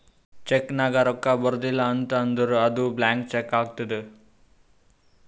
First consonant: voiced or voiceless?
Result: voiceless